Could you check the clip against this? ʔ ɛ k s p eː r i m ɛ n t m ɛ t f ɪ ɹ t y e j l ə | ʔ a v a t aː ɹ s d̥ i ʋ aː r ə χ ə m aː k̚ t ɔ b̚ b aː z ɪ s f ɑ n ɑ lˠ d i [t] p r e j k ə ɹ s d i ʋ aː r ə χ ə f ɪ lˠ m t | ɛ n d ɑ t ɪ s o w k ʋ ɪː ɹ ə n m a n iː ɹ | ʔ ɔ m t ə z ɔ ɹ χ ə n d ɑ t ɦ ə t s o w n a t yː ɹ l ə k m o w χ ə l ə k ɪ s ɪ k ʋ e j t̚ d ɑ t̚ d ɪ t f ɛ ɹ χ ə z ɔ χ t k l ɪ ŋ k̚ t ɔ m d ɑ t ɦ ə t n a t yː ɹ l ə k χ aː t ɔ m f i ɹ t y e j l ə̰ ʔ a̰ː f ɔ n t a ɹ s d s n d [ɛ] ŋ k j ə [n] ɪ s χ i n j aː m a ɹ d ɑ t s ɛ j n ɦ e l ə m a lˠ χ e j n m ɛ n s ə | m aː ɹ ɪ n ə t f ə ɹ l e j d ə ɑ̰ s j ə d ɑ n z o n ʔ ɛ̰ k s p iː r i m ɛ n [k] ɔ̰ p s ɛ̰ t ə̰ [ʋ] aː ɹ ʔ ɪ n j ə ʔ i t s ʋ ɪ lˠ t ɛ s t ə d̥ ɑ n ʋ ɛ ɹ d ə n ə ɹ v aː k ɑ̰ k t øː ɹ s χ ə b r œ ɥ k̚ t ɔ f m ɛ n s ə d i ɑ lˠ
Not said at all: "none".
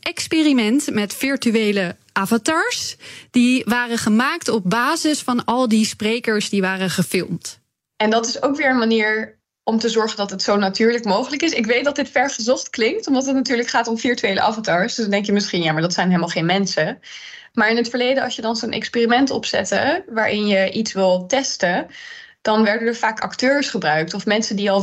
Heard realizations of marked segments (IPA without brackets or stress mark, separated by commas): s, ɛ, m, t, ʋ